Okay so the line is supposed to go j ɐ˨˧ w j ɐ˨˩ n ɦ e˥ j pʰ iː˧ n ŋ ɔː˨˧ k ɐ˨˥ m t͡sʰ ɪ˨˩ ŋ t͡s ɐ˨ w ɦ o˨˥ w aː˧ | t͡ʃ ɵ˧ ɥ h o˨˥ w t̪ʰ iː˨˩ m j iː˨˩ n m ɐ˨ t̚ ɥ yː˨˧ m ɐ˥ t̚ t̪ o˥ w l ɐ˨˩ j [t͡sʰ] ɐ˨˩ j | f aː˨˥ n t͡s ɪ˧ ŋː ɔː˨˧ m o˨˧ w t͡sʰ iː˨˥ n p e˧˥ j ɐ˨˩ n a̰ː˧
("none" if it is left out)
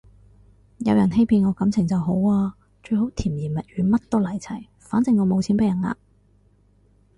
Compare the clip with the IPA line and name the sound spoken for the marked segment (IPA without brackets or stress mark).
t͡sʰ